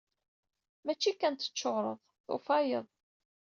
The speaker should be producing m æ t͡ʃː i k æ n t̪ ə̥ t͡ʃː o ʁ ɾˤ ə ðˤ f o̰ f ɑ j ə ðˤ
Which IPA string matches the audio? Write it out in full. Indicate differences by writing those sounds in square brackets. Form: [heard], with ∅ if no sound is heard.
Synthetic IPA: m æ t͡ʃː i k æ n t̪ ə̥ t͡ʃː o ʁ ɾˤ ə ðˤ [θ] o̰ f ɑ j ə ðˤ

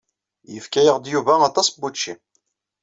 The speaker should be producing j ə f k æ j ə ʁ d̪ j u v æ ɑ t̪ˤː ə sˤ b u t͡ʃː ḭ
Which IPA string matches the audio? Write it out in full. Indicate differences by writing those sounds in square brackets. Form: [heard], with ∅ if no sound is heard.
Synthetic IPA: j ə f k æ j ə ʁ d̪ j u v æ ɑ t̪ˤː [ɑ] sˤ b u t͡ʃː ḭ

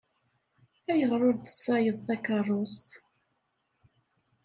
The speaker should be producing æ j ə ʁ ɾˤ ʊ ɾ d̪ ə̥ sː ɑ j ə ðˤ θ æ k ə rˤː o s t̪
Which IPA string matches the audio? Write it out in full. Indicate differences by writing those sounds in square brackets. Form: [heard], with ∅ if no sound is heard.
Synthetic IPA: æ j ə ʁ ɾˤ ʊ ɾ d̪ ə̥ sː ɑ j ə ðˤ θ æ k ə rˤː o s t̪

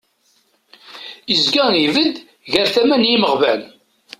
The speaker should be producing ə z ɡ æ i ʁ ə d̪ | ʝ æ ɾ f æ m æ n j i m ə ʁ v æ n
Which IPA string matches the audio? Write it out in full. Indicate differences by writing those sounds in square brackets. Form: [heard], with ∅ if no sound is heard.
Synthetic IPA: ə z ɡ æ i [v] ə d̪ | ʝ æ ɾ [θ] æ m æ n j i m ə ʁ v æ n

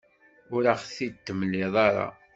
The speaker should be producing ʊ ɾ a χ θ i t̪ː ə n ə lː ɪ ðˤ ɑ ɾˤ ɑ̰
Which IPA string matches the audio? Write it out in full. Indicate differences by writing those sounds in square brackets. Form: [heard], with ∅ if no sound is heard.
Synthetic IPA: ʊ ɾ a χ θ i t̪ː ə [m] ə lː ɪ ðˤ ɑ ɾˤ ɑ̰

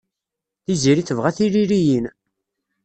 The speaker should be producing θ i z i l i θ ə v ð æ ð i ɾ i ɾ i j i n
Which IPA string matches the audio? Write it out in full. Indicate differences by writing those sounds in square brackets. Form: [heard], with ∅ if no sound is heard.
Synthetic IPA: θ i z i [ɾ] i θ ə v [ʁ] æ [θ] i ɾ i ɾ i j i n

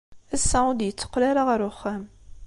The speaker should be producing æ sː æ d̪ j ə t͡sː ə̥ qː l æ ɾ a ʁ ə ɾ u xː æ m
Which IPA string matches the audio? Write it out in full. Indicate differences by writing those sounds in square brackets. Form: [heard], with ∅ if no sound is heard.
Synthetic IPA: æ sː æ d̪ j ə t͡sː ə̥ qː l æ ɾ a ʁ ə ɾ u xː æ m

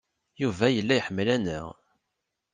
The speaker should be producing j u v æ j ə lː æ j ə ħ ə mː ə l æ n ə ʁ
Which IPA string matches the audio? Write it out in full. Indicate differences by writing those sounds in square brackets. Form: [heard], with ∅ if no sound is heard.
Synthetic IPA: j u v æ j ə lː æ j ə ħ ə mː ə l æ n ə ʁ

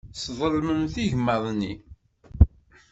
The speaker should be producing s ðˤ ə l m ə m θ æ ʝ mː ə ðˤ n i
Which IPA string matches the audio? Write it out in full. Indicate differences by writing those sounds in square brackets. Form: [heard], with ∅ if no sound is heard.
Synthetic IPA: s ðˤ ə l m ə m θ [i] ʝ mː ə ðˤ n i

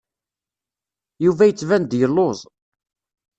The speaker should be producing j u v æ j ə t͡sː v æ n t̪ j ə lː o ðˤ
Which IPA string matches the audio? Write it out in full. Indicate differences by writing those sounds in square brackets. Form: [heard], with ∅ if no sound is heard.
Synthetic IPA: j u v æ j ə t͡sː v æ n [d̪] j ə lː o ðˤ

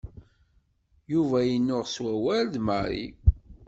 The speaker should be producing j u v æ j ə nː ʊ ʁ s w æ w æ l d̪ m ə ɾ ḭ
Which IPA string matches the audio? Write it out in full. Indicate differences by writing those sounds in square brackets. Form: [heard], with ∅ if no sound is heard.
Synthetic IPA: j u v æ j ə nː ʊ ʁ s w æ w æ l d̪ m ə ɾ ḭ

